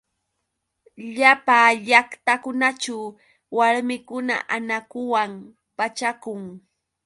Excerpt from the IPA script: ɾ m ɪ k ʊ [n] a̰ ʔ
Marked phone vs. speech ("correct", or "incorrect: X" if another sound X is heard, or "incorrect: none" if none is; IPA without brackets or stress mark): correct